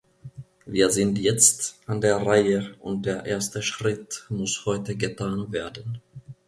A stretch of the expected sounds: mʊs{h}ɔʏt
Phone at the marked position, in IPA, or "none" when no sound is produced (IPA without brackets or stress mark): h